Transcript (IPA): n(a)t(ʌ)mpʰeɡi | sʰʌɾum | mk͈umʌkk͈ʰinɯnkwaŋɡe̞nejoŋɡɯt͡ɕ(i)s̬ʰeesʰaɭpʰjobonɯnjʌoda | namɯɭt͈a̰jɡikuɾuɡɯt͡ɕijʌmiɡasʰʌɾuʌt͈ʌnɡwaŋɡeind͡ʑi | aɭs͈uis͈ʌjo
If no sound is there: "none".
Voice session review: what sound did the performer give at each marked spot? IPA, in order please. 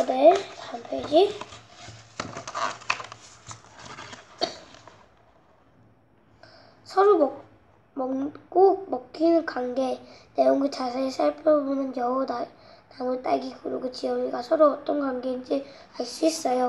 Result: e, a, a

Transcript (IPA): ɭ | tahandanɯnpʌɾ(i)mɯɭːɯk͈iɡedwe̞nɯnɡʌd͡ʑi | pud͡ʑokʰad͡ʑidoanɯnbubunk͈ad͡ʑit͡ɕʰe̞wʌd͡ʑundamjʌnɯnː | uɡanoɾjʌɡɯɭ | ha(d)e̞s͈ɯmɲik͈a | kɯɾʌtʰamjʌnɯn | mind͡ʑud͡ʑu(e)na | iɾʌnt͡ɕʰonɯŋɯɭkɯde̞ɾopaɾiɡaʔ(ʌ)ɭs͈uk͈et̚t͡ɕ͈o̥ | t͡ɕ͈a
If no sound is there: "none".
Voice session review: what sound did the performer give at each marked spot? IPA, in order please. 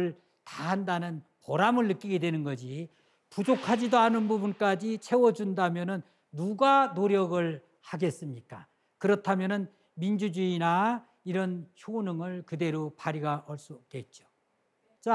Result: a, ɡ, i, ʌ

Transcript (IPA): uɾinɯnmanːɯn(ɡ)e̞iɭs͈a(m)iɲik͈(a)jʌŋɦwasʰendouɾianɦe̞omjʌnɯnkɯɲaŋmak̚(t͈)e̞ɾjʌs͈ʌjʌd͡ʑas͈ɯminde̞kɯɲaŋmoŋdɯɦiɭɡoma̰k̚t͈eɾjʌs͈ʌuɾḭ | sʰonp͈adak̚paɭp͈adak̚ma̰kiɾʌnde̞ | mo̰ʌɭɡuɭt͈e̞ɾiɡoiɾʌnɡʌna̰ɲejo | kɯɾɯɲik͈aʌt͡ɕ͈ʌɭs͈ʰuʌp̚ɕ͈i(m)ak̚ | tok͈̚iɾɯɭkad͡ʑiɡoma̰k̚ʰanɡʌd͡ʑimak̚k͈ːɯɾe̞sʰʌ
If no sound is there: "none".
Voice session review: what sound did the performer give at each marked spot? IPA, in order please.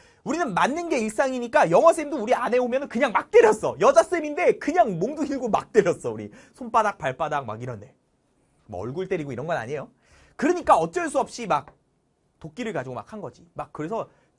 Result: ɡ, ŋ, a, t͈, m

